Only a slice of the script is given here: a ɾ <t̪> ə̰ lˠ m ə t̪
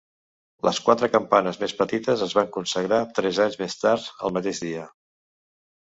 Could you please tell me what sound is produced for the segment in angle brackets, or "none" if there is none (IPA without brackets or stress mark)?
t̪